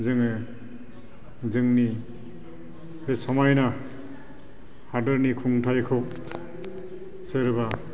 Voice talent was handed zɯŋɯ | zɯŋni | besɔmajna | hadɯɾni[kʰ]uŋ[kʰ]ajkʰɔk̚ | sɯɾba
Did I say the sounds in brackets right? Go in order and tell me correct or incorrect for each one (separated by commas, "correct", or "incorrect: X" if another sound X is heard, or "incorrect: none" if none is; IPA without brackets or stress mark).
correct, incorrect: tʰ